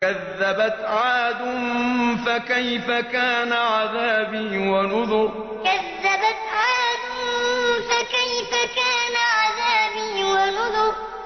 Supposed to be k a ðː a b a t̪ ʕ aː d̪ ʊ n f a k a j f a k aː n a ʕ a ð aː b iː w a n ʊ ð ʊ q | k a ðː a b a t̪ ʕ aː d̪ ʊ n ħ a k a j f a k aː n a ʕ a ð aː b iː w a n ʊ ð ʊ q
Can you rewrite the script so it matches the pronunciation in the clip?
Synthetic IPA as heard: k a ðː a b a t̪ ʕ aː d̪ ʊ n f a k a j f a k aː n a ʕ a ð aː b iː w a n ʊ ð ʊ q | k a ðː a b a t̪ ʕ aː d̪ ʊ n f a k a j f a k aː n a ʕ a ð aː b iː w a n ʊ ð ʊ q